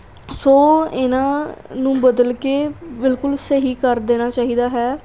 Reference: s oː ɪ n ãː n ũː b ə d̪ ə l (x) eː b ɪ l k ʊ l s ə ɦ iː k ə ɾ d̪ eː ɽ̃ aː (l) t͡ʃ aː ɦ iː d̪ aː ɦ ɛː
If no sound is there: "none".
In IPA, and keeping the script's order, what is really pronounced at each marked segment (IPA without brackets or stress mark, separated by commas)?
k, none